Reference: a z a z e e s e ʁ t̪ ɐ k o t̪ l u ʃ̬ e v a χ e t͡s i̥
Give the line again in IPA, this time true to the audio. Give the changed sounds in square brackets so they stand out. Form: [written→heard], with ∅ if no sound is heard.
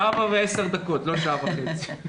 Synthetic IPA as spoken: a [z→v] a [z→v] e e s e ʁ [t̪→d̪] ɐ k o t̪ l [u→o] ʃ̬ [e→a] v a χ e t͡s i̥